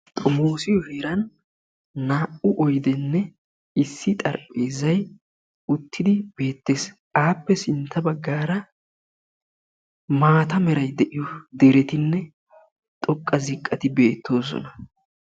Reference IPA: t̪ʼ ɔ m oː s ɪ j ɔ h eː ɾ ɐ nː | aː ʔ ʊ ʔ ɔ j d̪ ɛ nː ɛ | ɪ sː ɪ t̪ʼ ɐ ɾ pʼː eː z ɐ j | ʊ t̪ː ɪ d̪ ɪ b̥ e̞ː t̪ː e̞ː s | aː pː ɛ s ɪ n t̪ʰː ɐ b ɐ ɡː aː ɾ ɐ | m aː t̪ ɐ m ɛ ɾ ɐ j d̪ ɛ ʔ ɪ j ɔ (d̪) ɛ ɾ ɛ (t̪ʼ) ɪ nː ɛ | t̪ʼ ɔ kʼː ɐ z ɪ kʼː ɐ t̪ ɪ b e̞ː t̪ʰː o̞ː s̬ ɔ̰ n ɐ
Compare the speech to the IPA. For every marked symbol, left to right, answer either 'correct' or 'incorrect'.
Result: correct, incorrect

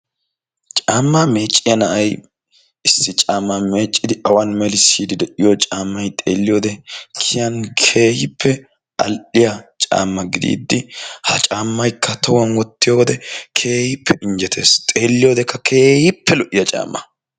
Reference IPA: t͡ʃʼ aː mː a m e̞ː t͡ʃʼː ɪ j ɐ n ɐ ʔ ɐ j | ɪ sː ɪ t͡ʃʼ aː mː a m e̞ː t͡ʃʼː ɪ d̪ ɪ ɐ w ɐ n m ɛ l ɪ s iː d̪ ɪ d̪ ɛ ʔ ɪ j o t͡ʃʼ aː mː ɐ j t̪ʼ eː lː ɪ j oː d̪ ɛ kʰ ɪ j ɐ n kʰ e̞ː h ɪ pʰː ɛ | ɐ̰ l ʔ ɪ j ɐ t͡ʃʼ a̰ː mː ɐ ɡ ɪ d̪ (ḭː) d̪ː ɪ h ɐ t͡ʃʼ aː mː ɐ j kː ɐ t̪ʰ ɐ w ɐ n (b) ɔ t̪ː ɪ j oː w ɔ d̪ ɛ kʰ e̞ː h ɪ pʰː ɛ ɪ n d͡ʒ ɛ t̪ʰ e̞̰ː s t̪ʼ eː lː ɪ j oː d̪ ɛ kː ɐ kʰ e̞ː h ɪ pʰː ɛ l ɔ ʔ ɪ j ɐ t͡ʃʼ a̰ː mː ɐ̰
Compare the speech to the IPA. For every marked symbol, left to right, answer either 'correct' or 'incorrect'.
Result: correct, incorrect

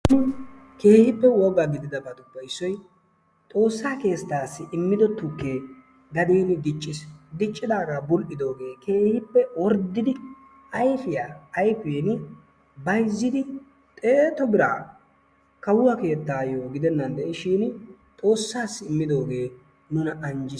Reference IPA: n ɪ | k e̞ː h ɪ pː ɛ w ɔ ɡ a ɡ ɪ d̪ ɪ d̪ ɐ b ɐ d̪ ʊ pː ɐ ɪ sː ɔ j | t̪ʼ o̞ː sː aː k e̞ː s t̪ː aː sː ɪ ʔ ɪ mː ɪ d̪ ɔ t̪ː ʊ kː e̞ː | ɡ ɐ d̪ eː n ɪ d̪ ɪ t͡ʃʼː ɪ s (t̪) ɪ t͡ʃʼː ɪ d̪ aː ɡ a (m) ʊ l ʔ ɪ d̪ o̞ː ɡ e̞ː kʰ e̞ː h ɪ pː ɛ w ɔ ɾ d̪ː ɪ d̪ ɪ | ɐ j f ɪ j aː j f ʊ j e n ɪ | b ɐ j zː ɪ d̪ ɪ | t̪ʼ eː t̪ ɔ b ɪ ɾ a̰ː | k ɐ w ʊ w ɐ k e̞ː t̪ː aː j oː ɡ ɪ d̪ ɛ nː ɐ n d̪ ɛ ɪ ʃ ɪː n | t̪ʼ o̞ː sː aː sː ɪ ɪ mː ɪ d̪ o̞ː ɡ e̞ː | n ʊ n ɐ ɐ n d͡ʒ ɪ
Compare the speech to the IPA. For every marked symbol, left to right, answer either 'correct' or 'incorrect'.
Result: incorrect, incorrect

